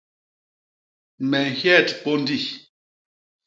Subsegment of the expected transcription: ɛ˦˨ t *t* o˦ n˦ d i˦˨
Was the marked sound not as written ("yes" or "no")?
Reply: yes